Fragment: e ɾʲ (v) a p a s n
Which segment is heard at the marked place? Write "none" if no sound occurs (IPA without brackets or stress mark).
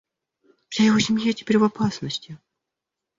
v